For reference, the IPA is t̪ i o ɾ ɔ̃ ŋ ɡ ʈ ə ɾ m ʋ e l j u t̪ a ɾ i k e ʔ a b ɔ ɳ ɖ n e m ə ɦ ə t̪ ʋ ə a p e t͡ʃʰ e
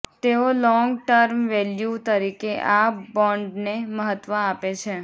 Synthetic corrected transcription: t̪ e o l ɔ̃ ŋ ɡ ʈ ə ɾ m ʋ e l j u t̪ ə ɾ i k e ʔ a b ɔ ɳ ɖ n e m ə ɦ ə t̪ ʋ ə a p e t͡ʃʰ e